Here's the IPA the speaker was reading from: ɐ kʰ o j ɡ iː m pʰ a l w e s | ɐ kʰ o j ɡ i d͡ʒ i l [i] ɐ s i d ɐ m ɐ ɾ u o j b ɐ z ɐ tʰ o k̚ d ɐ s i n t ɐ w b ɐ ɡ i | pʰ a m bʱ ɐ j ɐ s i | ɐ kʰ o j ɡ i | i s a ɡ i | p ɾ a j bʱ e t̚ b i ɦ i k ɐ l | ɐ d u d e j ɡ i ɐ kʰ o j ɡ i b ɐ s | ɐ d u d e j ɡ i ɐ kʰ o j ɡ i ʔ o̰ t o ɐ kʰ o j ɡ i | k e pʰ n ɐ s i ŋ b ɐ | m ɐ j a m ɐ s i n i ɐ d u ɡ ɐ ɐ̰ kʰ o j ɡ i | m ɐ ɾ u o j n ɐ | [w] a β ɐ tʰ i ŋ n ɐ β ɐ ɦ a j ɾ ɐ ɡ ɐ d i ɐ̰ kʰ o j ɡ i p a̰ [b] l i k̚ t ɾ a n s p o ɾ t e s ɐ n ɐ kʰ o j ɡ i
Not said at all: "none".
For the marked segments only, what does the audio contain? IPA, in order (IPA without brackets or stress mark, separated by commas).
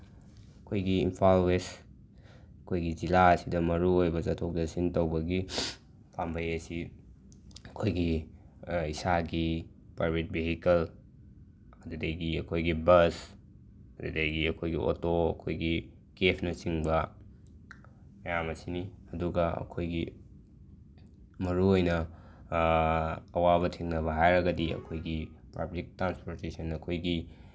a, w, b